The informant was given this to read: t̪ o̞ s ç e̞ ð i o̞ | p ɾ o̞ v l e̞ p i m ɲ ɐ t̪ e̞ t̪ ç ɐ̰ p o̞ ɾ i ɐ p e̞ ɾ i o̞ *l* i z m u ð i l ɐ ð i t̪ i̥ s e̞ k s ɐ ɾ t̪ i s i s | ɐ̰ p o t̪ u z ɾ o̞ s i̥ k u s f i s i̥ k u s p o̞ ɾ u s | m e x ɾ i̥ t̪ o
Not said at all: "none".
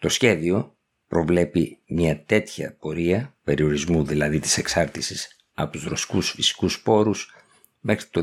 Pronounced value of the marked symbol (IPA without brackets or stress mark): ɾ